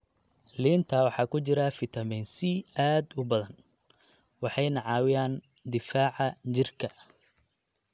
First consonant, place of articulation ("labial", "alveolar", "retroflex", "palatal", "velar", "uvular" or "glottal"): alveolar